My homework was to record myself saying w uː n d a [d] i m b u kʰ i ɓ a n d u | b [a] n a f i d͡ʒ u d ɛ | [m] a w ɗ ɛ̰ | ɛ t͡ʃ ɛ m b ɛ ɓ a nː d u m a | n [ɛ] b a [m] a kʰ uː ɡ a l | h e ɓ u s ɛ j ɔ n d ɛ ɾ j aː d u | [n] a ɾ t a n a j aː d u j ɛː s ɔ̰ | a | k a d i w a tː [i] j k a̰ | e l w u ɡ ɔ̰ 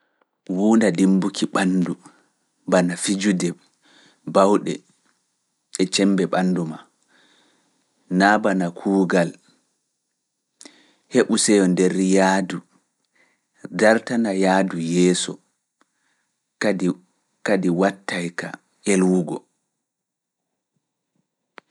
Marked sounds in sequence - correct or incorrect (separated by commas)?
correct, correct, incorrect, incorrect, incorrect, incorrect, incorrect